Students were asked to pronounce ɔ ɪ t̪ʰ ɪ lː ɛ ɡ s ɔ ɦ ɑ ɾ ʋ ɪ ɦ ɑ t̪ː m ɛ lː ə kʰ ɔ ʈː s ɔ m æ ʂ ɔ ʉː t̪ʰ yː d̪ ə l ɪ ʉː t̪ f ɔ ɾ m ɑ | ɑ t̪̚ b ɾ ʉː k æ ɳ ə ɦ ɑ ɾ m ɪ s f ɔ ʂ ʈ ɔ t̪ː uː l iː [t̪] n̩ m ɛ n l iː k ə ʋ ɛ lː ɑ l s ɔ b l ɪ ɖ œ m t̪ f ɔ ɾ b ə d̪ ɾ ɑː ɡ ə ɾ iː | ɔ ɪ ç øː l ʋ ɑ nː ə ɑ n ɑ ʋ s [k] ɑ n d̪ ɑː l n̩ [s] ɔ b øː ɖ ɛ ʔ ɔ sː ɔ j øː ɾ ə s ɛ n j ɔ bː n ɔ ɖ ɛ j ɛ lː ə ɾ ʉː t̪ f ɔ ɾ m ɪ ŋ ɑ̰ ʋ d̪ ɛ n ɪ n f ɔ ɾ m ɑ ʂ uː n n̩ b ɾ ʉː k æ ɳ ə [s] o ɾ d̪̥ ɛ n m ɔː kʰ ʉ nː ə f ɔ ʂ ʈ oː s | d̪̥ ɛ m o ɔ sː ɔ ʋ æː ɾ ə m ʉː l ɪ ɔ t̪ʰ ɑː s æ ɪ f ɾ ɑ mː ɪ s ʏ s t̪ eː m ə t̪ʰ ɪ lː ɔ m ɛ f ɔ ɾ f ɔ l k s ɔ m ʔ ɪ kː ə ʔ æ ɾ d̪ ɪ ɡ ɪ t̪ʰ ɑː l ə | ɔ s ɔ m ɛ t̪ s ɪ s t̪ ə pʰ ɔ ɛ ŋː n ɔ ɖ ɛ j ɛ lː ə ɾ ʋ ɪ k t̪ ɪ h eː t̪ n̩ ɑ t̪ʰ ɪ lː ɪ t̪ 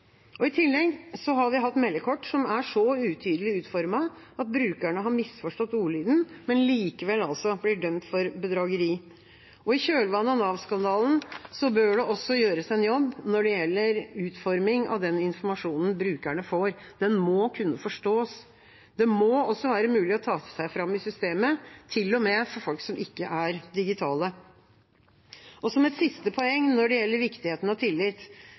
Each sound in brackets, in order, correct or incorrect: incorrect: d̪, correct, correct, incorrect: f

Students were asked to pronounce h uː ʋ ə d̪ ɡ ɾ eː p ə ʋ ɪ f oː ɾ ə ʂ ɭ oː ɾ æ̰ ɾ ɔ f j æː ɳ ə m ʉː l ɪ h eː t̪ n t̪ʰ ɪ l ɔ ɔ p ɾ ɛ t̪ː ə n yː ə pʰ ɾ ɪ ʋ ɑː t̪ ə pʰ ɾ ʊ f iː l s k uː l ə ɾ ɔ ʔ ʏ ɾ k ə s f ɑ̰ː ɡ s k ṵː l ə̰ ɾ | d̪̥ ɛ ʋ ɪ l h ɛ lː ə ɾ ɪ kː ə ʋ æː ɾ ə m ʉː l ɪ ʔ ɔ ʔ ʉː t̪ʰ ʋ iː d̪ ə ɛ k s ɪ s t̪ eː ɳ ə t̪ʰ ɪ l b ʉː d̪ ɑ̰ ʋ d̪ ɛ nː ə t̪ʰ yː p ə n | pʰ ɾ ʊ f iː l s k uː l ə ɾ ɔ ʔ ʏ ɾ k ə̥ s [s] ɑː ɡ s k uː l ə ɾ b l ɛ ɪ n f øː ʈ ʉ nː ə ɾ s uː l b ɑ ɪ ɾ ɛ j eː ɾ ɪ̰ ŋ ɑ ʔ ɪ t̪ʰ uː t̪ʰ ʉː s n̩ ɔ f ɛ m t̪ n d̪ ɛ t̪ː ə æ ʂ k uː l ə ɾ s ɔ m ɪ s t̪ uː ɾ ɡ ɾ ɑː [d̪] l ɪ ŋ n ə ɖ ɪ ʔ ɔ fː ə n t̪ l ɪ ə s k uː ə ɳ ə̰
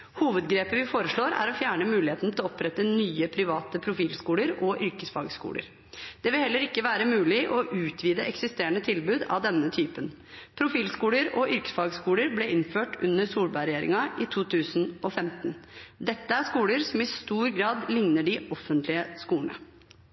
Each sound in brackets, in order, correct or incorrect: incorrect: f, correct

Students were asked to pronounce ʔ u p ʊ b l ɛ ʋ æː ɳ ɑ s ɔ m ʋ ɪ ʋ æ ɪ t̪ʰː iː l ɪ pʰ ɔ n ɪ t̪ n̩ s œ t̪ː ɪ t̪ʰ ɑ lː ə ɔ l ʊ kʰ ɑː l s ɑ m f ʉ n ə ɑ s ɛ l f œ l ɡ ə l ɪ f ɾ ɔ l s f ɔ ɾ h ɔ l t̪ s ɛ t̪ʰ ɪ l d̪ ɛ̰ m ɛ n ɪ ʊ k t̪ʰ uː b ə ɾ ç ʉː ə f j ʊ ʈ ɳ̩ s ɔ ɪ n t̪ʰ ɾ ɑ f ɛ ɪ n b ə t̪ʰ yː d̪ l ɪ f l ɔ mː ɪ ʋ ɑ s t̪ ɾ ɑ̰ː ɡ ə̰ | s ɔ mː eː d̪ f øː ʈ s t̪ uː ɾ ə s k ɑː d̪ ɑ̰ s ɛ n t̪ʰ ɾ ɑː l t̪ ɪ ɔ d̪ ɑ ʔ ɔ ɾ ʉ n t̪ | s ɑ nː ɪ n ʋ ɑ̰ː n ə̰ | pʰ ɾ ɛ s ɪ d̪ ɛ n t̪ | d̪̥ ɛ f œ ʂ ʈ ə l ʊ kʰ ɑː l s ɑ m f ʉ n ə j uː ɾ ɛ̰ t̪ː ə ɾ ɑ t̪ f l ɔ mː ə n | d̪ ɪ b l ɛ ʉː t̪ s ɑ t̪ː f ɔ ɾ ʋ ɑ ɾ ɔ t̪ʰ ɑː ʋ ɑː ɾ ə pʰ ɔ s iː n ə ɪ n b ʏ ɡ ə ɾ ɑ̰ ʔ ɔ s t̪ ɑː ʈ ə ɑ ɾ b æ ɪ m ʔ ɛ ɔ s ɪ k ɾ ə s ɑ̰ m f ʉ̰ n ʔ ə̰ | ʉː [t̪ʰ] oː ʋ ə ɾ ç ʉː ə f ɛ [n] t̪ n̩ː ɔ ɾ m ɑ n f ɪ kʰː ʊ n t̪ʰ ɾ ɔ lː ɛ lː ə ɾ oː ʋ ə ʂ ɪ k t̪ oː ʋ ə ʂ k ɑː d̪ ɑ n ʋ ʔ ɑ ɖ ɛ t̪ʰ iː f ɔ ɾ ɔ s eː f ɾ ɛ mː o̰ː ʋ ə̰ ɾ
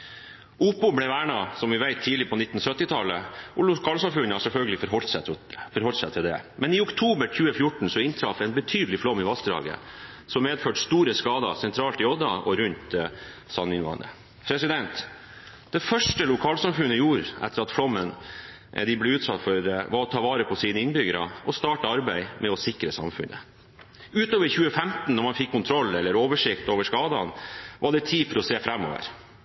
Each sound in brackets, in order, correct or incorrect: incorrect: t̪, incorrect: m

